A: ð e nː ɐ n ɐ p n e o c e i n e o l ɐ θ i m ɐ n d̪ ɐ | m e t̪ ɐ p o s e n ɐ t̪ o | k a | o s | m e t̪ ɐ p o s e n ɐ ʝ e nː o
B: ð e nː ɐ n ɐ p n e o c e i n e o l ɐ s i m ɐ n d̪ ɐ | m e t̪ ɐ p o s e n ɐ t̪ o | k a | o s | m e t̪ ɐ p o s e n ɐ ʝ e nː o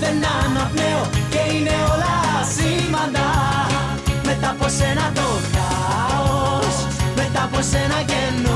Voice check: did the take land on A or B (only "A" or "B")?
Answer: B